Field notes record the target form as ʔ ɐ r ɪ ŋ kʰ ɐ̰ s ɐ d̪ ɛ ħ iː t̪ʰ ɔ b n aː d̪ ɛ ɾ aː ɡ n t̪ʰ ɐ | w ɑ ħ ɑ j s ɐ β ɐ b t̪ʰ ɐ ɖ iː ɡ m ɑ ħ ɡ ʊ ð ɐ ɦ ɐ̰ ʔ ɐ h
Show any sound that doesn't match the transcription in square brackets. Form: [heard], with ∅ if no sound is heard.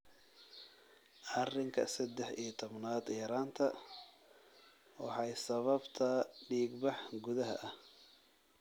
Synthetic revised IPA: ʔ ɐ r ɪ ŋ kʰ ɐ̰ s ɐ d̪ ɛ ħ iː t̪ʰ ɔ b n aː d̪ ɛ ɾ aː [∅] n t̪ʰ ɐ | w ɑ ħ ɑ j s ɐ β ɐ b t̪ʰ ɐ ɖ iː ɡ [b] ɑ ħ ɡ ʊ ð ɐ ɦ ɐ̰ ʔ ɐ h